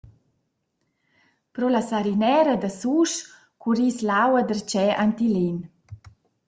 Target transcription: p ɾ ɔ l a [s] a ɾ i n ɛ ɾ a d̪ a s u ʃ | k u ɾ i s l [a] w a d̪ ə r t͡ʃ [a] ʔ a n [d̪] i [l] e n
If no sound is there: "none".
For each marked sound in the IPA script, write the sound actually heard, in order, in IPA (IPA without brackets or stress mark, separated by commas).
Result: s, a, ɛ, t̪, l